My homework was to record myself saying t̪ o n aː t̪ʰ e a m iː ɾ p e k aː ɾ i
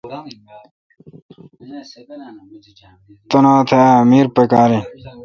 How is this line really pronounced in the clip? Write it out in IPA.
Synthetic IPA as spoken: t̪ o n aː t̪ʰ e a m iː ɾ p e k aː ɾ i